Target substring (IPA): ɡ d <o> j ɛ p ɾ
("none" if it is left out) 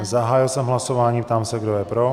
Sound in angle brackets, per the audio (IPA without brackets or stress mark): o